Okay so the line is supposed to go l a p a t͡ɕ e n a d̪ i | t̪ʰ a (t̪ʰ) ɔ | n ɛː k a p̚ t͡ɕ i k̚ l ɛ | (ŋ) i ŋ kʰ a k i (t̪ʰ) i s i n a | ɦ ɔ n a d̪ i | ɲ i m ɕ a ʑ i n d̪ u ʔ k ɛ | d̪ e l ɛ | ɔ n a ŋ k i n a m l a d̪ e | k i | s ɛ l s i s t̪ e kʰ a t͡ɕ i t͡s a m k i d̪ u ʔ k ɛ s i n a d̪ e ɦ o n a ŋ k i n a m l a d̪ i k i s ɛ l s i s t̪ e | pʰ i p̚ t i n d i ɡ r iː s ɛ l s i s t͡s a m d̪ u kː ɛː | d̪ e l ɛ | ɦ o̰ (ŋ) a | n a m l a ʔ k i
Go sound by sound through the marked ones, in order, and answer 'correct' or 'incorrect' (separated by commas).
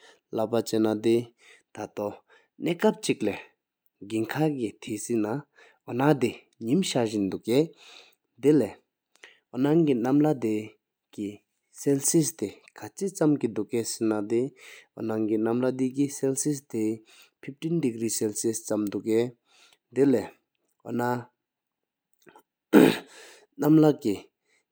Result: incorrect, incorrect, correct, incorrect